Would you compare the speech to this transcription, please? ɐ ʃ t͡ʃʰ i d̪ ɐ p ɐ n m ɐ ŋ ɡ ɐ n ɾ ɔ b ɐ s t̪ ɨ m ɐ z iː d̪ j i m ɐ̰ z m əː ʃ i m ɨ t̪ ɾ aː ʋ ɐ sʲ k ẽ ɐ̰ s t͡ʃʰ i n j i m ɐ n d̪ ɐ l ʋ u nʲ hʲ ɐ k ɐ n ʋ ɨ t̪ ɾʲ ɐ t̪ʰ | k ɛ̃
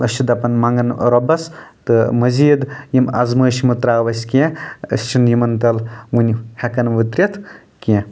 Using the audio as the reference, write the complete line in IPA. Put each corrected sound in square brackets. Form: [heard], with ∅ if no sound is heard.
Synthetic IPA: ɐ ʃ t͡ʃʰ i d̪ ɐ p ɐ n m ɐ ŋ ɡ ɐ n ɾ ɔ b ɐ s t̪ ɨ m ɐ z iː d̪ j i m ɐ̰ z m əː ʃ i m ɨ t̪ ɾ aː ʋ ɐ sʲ k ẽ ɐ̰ s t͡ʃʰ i n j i m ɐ n [t̪] ɐ l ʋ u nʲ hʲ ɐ k ɐ n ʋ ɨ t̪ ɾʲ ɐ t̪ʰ | k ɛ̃